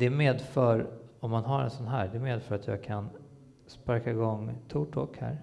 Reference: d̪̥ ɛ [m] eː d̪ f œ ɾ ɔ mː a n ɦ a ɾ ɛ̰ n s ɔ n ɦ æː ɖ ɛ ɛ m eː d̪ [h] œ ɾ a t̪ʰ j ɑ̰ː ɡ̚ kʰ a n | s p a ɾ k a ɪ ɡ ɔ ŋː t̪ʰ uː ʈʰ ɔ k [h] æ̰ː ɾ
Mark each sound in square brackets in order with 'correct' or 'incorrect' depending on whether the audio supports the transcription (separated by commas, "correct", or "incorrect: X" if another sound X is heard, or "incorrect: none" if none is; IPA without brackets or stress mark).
correct, incorrect: f, correct